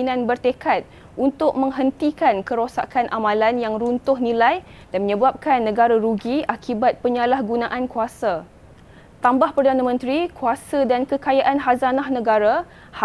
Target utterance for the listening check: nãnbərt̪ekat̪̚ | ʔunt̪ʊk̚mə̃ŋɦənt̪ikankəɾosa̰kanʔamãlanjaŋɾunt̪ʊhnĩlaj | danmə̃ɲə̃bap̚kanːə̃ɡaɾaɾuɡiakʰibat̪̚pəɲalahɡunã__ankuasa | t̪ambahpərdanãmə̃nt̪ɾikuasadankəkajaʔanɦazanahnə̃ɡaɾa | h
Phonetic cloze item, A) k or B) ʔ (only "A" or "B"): B